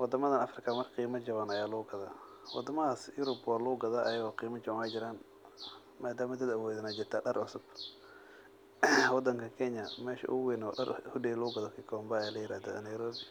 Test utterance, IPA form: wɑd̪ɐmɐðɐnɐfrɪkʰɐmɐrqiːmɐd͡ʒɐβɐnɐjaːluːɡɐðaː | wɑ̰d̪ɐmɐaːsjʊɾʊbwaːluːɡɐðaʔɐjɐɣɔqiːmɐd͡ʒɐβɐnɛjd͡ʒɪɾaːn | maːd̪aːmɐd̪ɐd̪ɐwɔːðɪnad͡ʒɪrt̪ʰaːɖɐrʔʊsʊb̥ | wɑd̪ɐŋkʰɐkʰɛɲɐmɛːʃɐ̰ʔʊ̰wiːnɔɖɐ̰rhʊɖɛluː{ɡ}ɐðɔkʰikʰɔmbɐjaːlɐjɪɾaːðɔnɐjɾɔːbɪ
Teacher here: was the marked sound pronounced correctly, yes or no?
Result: yes